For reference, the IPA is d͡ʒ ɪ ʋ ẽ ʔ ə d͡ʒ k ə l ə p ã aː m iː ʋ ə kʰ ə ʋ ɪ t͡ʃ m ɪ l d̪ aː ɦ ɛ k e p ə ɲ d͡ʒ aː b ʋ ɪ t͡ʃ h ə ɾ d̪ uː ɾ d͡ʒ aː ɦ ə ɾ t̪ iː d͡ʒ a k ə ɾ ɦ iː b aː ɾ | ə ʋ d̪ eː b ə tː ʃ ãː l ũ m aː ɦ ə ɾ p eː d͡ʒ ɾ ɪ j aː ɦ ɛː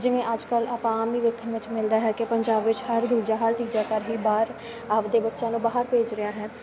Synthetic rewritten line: d͡ʒ ɪ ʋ ẽ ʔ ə d͡ʒ k ə l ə p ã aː m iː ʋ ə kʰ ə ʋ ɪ t͡ʃ m ɪ l d̪ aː ɦ ɛ k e p ə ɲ d͡ʒ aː b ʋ ɪ t͡ʃ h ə ɾ d̪ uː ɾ d͡ʒ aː ɦ ə ɾ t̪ iː d͡ʒ a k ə ɾ ɦ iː b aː ɾ | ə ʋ d̪ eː b ə tː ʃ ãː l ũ b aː ɦ ə ɾ p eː d͡ʒ ɾ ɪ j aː ɦ ɛː